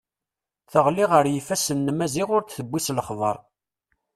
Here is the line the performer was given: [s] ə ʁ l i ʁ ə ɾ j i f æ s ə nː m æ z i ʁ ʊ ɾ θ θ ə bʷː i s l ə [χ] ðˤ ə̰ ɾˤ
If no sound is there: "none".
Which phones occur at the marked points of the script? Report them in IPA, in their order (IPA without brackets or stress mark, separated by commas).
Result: θ, χ